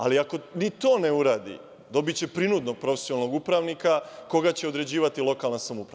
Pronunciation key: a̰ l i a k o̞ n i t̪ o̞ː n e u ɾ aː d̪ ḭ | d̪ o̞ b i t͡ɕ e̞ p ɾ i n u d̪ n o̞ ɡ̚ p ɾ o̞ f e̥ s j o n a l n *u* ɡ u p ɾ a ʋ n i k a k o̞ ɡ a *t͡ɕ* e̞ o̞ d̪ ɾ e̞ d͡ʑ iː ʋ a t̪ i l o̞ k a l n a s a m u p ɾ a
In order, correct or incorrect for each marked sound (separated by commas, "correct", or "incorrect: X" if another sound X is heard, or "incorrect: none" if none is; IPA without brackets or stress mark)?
incorrect: o, correct